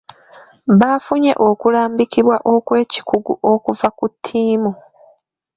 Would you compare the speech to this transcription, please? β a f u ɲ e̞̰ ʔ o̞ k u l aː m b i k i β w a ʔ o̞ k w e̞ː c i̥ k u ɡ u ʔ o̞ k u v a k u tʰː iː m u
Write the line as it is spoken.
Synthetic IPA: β a f u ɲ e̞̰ ʔ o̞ k u l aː m b i k i β w a ʔ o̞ k w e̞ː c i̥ k u ɡ u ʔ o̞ k u v a k u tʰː iː m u